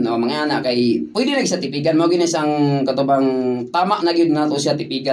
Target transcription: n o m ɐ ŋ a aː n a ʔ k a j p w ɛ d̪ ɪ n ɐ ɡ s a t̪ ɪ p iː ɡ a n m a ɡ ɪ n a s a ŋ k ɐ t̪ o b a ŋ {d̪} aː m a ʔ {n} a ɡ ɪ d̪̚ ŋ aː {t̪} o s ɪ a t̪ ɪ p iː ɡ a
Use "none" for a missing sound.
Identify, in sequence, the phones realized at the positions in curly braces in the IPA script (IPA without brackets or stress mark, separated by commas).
t̪, n, t̪